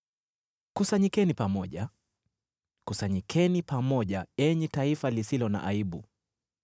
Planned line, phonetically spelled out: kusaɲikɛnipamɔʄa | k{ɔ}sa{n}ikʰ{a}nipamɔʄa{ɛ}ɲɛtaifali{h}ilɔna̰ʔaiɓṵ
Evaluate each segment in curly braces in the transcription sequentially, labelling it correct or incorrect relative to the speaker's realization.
incorrect, incorrect, incorrect, correct, incorrect

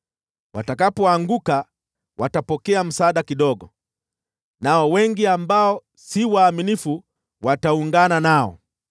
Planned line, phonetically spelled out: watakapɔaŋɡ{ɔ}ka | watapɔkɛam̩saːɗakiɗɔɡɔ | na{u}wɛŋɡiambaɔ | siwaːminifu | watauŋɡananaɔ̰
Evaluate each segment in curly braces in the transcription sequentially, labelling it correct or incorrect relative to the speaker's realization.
incorrect, incorrect

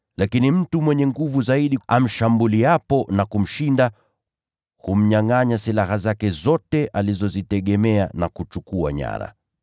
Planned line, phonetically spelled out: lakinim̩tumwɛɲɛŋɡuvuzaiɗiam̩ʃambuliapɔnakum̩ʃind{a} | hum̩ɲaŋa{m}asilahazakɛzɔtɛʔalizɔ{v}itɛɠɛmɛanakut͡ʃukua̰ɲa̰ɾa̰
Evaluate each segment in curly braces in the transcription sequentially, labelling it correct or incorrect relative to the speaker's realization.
correct, incorrect, incorrect

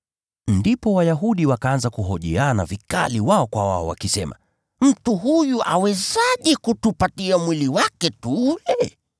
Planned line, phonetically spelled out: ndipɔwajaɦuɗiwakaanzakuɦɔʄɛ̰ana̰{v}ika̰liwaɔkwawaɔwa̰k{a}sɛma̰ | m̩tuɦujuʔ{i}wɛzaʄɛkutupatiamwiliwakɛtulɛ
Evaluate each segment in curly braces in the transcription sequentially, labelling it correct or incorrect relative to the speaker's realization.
correct, incorrect, incorrect

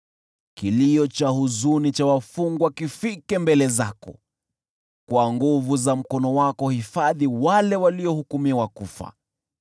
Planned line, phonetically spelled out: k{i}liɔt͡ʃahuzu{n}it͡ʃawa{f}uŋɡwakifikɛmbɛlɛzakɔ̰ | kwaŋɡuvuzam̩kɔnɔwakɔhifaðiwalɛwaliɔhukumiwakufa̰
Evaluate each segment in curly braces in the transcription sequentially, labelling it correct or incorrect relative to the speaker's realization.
correct, correct, correct

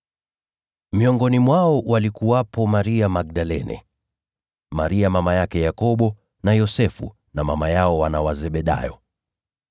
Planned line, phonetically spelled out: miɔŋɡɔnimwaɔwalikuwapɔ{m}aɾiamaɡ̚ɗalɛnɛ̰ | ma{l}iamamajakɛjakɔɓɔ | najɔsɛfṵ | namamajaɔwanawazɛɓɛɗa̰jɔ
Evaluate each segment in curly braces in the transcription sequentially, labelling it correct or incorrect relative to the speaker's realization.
correct, incorrect

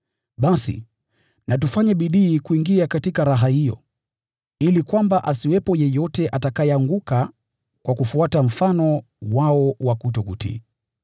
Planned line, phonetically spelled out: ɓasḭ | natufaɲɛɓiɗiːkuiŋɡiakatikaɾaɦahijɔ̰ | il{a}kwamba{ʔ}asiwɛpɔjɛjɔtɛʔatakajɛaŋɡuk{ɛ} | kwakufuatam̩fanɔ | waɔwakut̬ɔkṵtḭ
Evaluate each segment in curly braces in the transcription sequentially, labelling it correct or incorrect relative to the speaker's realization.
incorrect, correct, incorrect

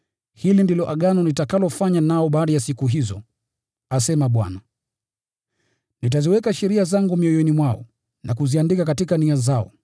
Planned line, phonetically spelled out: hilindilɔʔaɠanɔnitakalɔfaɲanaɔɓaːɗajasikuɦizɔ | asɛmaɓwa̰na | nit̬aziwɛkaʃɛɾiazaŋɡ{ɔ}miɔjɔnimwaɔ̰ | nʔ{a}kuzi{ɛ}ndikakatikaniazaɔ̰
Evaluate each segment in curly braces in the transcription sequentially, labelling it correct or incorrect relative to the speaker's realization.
incorrect, correct, incorrect

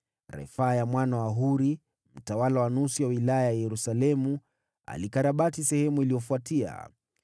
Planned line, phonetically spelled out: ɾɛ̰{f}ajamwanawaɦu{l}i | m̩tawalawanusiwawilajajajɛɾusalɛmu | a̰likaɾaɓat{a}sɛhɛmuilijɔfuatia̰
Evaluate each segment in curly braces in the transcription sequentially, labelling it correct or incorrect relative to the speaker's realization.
correct, incorrect, incorrect

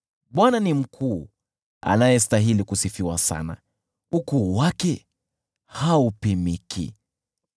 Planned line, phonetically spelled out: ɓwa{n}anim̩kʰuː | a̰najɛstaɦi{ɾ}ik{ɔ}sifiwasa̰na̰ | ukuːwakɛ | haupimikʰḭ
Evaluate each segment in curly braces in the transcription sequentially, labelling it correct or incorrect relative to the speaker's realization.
correct, incorrect, incorrect

